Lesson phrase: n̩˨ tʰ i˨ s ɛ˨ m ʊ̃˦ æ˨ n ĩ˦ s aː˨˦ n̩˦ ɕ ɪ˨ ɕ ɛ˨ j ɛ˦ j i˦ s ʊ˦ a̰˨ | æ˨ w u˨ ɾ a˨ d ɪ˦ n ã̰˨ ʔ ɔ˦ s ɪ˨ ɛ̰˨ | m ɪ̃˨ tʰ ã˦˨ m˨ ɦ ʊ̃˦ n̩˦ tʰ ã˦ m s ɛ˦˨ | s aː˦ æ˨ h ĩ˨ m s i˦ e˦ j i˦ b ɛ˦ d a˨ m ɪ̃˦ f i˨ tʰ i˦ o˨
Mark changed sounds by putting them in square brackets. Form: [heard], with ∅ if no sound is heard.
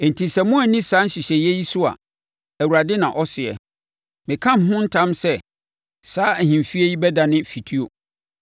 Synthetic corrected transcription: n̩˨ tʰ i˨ s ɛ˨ m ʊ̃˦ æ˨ n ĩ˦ s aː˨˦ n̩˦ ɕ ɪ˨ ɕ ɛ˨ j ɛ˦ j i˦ s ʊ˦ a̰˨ | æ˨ w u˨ ɾ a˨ d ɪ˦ n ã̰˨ ʔ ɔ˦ s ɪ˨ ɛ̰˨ | m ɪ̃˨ [kʰ] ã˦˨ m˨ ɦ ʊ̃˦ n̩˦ tʰ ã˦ m s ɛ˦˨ | s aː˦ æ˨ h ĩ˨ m [f] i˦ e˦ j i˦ b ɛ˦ d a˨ [n] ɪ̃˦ f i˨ tʰ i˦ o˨